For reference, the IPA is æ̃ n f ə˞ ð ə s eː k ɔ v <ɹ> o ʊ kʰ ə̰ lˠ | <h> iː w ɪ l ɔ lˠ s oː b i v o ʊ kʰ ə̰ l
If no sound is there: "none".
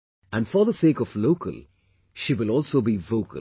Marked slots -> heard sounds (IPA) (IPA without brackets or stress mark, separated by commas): l, ʃ